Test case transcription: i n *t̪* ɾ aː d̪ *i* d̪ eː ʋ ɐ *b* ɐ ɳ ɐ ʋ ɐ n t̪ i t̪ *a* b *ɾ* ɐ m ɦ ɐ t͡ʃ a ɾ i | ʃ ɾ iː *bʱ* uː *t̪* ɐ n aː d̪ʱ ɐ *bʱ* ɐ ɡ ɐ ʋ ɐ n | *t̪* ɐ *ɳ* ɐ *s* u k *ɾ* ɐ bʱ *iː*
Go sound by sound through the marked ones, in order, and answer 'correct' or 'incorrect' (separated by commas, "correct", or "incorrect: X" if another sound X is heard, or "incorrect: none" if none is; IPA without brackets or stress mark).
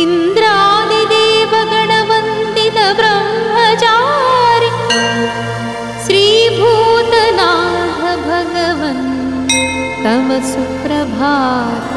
incorrect: d̪, correct, incorrect: ɡ, incorrect: ɐ, correct, correct, correct, correct, correct, incorrect: m, correct, correct, incorrect: aː